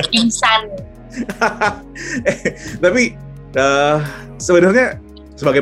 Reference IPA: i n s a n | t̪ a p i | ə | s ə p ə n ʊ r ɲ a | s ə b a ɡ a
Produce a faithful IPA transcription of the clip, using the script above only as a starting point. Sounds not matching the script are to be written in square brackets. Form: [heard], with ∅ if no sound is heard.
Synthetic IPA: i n s a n | t̪ a p i | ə | s ə [b] ə n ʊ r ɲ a | s ə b a ɡ a